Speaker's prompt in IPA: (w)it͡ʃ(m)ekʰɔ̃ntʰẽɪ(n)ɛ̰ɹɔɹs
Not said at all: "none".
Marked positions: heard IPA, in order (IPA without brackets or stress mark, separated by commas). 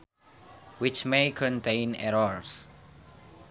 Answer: w, m, n